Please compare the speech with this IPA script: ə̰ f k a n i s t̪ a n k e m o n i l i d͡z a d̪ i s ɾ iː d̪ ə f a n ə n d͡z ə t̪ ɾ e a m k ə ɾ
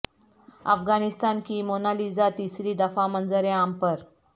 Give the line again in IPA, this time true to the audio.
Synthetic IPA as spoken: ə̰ f ɡ a n i s t̪ a n k i m o n a l i d͡z a t̪ i s ɾ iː d̪ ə f a m ə n d͡z ə ɾ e a m p ə ɾ